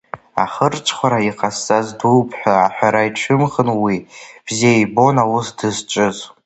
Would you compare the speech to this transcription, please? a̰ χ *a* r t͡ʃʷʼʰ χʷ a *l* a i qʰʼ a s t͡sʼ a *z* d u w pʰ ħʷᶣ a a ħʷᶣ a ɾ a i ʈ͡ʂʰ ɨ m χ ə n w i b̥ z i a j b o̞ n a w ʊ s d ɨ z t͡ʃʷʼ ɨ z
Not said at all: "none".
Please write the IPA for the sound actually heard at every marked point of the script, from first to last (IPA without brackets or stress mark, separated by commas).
ə, ɾ, z